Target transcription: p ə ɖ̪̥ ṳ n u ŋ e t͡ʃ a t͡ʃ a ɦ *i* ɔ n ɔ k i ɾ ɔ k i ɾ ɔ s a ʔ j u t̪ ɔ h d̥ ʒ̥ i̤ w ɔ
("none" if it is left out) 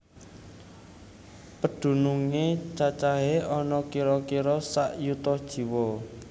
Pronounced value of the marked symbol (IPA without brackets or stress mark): e